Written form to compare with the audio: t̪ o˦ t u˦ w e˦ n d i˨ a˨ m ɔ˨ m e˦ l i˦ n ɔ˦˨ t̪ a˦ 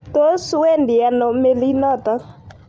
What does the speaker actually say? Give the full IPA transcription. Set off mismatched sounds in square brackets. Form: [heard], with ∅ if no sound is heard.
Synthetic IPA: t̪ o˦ [s] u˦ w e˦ n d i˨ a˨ [n] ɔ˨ m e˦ l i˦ n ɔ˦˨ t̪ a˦